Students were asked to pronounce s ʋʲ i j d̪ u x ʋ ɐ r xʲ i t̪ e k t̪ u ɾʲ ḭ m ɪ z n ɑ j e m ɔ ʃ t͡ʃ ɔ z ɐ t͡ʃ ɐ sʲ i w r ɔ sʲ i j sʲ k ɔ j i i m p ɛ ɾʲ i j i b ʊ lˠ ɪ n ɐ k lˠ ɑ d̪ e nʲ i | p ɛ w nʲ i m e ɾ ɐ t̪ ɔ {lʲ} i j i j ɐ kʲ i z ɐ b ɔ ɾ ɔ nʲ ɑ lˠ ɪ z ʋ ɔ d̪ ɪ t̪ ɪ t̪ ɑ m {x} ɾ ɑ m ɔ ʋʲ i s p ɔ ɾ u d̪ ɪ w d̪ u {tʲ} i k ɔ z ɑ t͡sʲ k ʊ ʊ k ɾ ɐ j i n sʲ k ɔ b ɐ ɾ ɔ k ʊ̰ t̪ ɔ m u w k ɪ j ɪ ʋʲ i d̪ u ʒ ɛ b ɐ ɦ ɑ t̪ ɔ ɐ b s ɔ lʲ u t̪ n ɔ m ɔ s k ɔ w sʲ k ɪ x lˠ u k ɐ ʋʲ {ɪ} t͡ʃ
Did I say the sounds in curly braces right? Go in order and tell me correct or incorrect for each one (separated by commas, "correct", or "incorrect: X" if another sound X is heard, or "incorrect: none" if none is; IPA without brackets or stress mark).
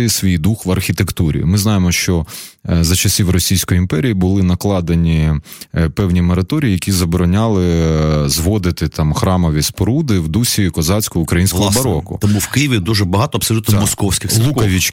incorrect: ɾʲ, correct, incorrect: sʲ, incorrect: i